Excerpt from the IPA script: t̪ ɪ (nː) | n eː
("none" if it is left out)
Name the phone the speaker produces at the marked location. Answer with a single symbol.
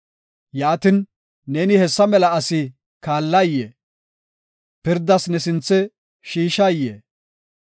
n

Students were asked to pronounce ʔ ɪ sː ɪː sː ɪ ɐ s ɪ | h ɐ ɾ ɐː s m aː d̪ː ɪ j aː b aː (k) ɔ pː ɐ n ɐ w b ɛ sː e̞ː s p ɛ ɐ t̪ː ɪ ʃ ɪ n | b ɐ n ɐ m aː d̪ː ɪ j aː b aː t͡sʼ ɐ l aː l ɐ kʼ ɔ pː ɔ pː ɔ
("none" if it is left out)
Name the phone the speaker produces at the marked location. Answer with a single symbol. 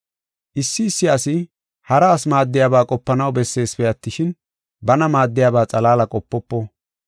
kʼ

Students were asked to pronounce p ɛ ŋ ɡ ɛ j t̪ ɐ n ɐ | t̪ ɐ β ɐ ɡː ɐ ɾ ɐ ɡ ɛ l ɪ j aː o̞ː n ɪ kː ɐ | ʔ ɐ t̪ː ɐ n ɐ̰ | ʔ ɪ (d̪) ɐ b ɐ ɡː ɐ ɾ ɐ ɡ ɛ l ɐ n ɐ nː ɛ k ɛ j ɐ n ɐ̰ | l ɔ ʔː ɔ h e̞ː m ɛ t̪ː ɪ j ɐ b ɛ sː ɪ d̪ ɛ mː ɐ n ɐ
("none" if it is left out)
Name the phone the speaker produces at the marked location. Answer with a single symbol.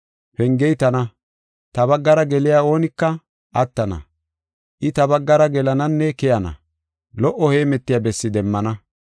t̪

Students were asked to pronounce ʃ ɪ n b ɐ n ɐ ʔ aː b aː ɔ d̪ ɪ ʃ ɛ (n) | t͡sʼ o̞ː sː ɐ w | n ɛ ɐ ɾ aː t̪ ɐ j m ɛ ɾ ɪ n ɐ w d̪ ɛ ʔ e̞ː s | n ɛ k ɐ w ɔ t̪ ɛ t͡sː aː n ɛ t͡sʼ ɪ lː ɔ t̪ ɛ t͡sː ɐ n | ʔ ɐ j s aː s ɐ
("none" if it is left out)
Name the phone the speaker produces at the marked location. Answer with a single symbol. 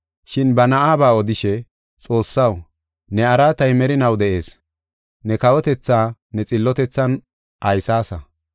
none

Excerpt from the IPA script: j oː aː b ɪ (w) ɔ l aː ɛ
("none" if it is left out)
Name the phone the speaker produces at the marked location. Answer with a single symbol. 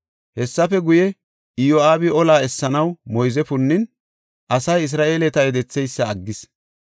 none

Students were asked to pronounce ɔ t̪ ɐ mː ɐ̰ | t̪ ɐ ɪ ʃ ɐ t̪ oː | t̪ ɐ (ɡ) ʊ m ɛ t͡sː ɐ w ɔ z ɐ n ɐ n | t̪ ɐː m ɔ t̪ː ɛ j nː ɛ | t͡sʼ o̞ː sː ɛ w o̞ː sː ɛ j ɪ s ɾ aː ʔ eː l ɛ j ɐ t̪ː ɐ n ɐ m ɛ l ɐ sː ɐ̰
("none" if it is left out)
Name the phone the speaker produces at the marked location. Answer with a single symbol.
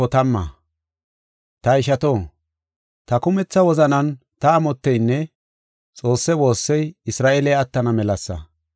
k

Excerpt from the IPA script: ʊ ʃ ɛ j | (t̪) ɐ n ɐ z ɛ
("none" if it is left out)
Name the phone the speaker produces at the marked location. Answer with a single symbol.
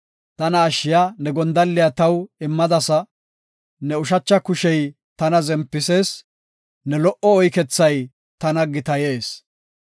t̪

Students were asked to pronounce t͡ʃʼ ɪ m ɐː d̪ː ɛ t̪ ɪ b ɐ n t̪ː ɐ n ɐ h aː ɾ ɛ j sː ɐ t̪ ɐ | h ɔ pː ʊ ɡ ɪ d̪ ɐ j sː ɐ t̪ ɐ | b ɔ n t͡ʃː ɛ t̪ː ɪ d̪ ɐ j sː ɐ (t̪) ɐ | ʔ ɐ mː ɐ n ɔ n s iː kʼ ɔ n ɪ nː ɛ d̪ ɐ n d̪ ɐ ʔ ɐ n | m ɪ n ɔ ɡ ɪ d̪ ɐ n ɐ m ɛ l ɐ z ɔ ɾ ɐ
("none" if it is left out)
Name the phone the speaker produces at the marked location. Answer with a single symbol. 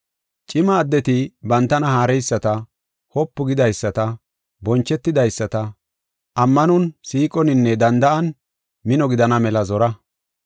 t̪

